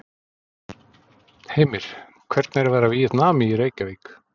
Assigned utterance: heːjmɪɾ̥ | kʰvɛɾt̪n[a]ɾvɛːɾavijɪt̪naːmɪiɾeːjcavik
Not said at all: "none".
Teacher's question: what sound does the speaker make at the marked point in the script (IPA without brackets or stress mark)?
ɛ